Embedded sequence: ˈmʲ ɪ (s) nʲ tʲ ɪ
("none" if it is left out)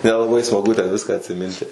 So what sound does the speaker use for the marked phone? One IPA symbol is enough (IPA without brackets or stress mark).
none